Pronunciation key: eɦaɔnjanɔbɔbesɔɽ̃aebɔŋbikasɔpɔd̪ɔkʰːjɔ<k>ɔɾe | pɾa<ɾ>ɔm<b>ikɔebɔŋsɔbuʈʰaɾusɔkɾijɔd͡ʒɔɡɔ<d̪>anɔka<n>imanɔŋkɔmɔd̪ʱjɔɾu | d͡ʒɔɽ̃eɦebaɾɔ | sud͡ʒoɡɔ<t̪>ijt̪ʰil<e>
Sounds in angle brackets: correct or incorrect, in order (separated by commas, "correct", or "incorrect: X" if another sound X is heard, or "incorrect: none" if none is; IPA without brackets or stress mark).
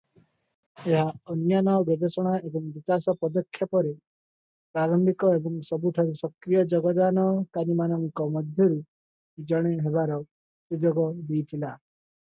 incorrect: p, correct, correct, correct, correct, incorrect: d̪, incorrect: a